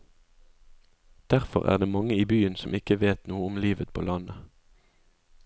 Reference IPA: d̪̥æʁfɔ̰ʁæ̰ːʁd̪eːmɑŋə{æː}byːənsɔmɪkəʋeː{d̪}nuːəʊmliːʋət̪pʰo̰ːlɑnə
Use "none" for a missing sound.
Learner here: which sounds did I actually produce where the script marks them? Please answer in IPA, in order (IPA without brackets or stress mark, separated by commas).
iː, t̪